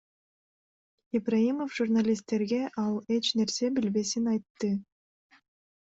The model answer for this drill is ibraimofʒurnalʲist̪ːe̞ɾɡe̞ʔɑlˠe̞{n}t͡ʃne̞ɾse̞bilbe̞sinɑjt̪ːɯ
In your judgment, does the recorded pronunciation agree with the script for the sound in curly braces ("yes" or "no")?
no